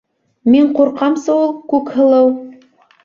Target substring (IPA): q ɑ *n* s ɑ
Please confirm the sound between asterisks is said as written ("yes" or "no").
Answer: no